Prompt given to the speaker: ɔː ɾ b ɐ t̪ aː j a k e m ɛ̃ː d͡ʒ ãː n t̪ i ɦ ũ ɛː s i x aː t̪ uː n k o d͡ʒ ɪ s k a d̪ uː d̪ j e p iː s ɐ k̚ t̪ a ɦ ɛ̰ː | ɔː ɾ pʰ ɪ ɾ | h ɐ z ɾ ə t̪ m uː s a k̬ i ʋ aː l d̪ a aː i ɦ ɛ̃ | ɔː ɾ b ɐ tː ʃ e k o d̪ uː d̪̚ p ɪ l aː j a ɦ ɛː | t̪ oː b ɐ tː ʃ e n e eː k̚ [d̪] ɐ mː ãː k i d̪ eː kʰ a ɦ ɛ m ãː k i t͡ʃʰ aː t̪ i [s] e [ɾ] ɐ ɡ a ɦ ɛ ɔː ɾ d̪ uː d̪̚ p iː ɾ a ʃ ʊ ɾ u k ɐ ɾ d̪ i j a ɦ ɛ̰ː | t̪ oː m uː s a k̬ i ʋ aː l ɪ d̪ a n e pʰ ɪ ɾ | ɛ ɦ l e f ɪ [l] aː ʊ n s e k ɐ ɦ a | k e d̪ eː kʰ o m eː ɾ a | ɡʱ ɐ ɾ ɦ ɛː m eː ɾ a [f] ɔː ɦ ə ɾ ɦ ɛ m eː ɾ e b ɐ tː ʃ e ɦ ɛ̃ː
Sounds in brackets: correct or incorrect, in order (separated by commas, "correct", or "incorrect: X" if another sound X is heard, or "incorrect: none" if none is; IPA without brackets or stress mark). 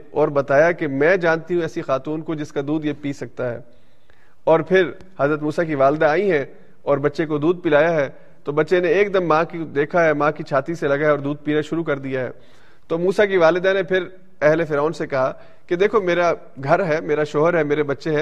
correct, correct, incorrect: l, incorrect: ɾ, incorrect: ʃ